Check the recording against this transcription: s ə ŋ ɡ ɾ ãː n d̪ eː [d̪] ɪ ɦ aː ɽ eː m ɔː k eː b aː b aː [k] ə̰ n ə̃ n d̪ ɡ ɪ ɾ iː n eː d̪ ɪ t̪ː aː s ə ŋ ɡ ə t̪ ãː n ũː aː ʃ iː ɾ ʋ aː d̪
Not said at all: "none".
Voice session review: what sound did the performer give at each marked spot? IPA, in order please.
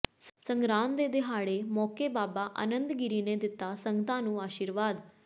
d̪, ʔ

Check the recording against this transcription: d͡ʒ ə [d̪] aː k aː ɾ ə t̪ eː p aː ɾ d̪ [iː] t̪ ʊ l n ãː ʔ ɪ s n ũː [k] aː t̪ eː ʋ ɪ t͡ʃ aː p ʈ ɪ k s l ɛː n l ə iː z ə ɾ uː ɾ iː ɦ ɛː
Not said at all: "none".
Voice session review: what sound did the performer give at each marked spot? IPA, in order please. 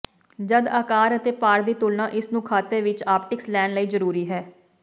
d̪, iː, kʰ

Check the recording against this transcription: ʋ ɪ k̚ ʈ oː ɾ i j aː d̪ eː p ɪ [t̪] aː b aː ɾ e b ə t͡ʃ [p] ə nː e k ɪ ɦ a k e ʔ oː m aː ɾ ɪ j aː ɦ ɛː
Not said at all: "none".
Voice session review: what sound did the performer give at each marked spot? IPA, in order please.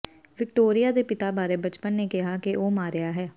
t̪, p

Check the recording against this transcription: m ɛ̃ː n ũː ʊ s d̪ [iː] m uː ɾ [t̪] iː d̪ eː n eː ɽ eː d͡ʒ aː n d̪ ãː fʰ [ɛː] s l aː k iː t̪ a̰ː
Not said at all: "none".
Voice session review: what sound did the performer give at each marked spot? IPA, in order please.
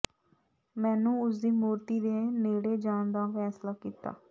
iː, t̪, ɛː

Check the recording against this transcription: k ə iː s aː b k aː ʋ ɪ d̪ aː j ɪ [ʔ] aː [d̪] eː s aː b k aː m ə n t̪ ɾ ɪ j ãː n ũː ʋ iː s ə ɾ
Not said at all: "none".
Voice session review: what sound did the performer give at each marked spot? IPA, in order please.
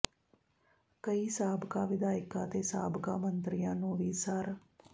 k, t̪

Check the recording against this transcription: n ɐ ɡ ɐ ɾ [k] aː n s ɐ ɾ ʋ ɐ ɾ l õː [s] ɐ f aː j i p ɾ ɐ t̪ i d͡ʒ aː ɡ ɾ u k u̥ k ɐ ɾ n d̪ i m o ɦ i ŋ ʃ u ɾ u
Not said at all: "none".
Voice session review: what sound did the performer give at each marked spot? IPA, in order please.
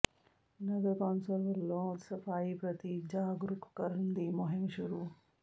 k, s

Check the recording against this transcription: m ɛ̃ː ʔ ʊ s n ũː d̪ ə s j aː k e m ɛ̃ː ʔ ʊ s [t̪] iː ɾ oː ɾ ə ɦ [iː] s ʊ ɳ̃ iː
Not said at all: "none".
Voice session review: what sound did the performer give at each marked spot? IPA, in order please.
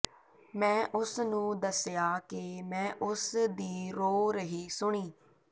d̪, iː

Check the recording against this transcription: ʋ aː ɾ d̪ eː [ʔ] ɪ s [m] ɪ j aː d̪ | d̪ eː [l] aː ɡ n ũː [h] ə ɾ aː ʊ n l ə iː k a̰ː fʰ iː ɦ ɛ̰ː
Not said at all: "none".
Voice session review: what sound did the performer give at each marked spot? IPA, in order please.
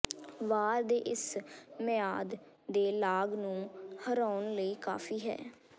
ʔ, m, l, h

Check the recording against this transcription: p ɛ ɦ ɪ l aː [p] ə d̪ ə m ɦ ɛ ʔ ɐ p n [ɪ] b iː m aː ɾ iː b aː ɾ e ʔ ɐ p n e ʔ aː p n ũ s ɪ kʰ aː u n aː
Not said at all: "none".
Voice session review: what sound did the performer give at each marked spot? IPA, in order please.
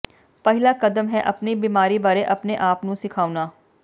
k, i

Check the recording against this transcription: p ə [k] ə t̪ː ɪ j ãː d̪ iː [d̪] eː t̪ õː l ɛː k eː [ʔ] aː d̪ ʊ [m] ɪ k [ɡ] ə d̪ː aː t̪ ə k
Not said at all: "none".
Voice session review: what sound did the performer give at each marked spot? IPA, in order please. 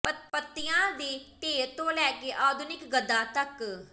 p, t̪, ʔ, n, ɡ

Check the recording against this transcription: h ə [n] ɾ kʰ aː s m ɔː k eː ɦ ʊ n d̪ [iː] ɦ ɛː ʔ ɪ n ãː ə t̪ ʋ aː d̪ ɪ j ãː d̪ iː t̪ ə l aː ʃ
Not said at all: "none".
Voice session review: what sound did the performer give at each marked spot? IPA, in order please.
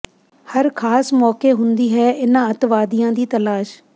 none, iː

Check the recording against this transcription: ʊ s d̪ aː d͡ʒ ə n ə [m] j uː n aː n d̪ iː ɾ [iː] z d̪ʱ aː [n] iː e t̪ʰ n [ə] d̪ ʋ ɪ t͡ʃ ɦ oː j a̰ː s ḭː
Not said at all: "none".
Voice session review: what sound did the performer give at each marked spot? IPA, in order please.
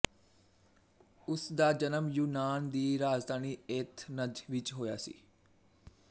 m, aː, n, ə

